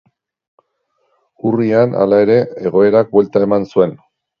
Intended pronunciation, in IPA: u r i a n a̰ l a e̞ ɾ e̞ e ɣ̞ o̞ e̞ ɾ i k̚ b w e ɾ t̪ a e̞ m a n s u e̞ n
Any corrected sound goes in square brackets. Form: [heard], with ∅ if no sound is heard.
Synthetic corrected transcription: u r i a n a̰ l a e̞ ɾ e̞ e ɣ̞ o̞ e̞ ɾ [a] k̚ b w e [l] t̪ a e̞ m a n s u e̞ n